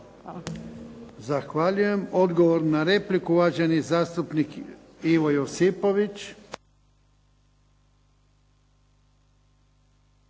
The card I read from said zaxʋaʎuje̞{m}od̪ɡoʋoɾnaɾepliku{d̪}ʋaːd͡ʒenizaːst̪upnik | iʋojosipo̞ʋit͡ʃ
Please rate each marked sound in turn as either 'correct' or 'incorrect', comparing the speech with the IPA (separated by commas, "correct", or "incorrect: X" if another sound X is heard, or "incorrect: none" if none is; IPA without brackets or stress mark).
correct, incorrect: none